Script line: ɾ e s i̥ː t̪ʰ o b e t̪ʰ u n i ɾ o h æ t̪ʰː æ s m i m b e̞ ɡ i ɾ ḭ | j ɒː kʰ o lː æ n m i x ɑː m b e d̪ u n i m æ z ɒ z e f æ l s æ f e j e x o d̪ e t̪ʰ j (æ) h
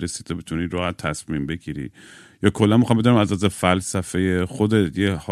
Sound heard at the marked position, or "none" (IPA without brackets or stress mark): e